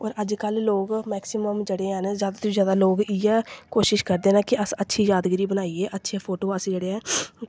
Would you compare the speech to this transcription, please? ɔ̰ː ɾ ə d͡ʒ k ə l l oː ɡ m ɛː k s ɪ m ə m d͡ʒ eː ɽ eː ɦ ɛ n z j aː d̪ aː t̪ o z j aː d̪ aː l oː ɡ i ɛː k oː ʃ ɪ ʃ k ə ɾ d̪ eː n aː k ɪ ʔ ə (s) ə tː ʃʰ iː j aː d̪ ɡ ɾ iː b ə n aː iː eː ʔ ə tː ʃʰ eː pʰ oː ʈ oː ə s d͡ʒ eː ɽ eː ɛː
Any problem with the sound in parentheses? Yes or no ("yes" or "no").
no